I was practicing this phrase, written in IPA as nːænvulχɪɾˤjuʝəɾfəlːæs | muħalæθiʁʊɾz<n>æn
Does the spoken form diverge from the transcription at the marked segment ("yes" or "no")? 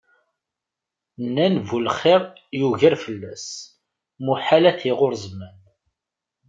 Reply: yes